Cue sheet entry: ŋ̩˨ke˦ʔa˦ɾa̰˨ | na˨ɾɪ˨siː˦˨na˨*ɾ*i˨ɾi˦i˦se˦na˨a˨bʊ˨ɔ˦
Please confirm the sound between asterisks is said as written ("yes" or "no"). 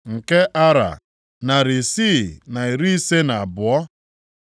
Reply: no